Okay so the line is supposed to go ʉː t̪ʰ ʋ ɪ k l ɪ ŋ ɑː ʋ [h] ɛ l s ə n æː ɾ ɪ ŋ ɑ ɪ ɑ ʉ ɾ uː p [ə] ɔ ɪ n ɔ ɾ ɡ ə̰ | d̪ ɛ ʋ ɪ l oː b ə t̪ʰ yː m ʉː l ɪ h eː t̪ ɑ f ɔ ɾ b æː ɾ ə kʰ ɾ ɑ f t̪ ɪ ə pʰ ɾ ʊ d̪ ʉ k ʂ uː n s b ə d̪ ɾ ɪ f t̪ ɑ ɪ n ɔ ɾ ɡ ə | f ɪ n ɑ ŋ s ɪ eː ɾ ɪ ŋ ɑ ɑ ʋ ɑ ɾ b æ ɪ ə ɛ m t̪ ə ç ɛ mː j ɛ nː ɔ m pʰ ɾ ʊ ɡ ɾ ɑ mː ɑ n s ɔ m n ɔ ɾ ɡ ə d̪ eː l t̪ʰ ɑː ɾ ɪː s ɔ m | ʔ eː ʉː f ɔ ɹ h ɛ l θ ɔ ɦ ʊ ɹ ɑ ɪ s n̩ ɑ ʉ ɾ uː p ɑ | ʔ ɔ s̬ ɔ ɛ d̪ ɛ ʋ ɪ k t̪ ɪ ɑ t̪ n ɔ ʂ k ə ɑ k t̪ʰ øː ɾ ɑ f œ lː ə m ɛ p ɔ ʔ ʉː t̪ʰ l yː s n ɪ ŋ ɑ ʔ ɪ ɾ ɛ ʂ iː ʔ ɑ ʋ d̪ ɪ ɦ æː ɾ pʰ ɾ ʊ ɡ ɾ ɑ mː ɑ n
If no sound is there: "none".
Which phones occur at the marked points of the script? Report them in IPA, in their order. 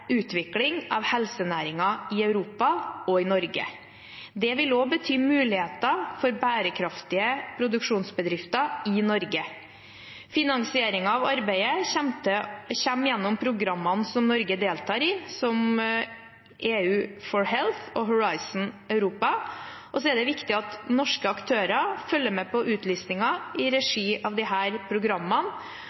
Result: h, ɑ

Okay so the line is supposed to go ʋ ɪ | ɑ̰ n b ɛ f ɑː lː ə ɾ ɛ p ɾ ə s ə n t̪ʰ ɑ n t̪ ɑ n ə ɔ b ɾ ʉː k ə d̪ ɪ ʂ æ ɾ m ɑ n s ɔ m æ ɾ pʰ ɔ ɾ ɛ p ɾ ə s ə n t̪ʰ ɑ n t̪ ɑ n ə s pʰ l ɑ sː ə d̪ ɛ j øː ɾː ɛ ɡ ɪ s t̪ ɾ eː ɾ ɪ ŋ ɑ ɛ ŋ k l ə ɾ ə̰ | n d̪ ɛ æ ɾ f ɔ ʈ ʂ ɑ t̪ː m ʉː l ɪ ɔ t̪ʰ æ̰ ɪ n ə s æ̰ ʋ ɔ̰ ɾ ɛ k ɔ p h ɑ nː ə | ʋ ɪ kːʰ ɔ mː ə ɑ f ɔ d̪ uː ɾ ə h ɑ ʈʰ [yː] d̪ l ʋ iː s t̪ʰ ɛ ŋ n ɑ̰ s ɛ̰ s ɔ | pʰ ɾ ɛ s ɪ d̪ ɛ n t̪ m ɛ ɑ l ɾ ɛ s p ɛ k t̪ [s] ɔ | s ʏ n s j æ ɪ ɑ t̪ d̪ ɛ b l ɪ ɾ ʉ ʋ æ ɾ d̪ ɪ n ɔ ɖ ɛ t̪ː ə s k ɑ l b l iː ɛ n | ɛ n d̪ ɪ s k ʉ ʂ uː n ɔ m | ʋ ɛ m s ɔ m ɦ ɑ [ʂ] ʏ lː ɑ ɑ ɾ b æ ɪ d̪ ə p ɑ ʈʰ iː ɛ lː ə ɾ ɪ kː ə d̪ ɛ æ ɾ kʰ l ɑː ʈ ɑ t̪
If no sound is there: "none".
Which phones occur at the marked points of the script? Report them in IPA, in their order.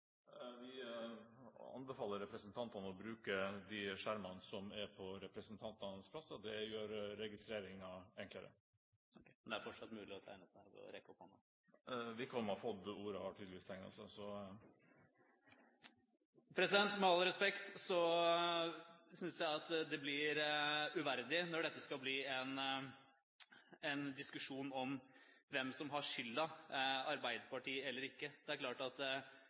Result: iː, s, ʂ

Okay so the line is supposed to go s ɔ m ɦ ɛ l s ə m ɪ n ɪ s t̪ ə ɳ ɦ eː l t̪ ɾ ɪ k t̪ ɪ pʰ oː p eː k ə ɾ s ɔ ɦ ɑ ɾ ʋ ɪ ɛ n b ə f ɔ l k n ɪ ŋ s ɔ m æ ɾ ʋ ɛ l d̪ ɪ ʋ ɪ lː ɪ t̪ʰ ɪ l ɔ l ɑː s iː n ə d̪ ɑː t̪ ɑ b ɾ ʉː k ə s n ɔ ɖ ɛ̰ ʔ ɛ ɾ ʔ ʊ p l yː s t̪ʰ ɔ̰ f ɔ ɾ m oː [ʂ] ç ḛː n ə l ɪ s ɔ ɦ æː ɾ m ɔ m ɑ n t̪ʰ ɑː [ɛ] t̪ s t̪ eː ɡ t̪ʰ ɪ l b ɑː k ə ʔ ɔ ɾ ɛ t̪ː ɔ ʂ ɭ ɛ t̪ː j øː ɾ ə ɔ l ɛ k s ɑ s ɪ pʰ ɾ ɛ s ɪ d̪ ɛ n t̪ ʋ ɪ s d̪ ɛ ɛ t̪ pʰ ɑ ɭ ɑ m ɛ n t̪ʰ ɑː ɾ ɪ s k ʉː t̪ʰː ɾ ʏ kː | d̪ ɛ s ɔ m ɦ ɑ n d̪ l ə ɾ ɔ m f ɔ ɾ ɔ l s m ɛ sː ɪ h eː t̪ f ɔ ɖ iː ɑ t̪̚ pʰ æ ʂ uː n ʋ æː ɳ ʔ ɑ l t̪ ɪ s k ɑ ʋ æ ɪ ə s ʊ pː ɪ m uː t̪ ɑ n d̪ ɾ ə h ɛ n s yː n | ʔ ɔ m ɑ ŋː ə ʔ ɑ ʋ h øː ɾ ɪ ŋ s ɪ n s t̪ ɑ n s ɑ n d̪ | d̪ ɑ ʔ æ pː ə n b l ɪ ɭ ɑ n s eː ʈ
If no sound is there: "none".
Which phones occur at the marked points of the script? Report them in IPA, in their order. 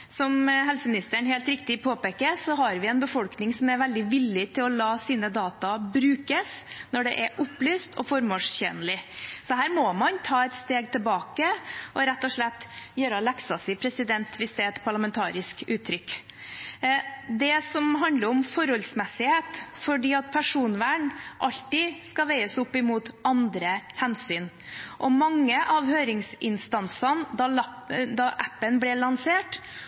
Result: ʂ, ɛ

